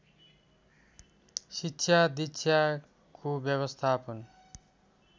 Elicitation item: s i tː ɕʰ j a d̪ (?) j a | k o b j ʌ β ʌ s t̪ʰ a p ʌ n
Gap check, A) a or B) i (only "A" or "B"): B